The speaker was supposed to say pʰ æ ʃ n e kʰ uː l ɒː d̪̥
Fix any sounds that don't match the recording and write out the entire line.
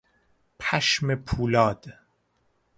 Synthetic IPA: pʰ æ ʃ m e pʰ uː l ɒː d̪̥

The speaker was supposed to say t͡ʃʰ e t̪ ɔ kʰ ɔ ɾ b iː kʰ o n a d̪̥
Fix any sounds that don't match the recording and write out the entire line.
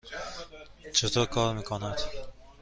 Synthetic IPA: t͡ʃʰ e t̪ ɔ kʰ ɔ ɾ m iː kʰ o n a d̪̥

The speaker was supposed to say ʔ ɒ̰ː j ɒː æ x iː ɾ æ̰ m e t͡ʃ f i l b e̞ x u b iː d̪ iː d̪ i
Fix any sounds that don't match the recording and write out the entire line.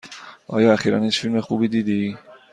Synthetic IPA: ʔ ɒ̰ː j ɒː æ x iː ɾ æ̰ n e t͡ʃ f i l m e̞ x u b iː d̪ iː d̪ i

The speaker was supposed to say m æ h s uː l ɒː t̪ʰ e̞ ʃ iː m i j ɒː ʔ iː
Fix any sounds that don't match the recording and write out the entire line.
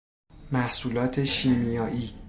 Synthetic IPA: m æ h s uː l ɒː t̪ʰ e̞ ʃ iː m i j ɒː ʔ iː

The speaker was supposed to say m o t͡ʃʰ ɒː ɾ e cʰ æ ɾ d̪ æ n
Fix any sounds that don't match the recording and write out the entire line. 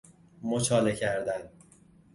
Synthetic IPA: m o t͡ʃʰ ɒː l e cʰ æ ɾ d̪ æ n

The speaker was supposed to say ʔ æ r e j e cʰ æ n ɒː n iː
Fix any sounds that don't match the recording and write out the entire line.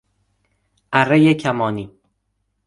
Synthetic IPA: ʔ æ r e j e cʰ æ m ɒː n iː

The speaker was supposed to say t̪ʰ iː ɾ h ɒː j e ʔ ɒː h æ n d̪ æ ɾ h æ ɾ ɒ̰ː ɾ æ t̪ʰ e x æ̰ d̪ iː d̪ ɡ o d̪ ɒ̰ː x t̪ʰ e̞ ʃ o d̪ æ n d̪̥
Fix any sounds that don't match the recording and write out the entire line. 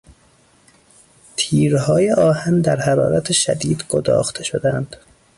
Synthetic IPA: t̪ʰ iː ɾ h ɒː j e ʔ ɒː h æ n d̪ æ ɾ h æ ɾ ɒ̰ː ɾ æ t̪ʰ e ʃ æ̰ d̪ iː d̪ ɡ o d̪ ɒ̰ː x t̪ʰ e̞ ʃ o d̪ æ n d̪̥

